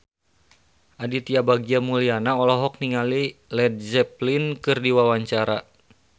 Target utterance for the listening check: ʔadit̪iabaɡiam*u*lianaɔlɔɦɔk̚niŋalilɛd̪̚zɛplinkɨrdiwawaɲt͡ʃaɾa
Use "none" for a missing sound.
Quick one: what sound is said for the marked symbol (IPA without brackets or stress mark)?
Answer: u